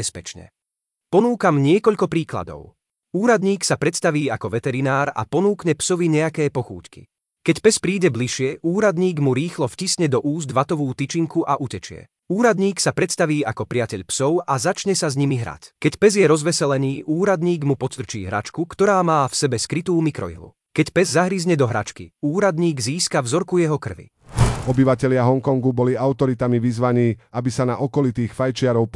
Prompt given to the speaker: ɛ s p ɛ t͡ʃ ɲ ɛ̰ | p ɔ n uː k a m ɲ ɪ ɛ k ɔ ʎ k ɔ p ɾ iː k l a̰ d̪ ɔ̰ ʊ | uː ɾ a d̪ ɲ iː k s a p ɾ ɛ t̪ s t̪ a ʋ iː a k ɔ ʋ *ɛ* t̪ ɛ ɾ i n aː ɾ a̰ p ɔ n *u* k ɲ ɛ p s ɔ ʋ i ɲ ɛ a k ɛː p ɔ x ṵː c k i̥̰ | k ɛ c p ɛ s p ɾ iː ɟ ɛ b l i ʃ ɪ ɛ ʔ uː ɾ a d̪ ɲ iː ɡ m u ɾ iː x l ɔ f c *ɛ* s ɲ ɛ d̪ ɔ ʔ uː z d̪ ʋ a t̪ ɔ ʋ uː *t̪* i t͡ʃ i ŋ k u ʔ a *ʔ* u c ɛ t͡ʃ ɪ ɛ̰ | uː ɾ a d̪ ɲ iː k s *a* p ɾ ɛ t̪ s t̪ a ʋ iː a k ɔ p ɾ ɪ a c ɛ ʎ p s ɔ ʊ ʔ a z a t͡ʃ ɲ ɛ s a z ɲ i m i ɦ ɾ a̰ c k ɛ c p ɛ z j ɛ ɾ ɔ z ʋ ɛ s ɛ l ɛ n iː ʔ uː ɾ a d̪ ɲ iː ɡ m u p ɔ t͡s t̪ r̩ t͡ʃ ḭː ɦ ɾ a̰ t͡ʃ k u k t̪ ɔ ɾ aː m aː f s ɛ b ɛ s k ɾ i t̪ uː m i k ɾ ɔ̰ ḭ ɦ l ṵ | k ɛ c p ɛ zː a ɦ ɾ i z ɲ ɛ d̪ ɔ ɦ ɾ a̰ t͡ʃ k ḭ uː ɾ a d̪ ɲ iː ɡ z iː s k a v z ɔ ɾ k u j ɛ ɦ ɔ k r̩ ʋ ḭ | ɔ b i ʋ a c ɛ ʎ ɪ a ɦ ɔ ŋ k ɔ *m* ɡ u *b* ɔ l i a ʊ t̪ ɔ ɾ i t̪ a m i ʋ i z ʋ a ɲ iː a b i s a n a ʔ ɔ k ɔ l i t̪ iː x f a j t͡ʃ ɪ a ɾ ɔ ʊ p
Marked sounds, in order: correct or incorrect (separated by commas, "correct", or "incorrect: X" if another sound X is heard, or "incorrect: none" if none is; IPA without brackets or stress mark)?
correct, incorrect: uː, incorrect: i, correct, correct, correct, incorrect: ŋ, correct